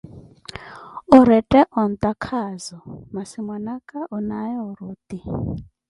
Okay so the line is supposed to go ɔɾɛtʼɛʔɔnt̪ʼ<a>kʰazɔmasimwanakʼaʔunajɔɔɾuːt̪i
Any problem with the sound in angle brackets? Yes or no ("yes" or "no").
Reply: no